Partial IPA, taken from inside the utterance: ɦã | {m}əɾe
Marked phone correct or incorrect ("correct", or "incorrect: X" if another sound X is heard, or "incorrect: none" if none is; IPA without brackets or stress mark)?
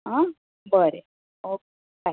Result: incorrect: b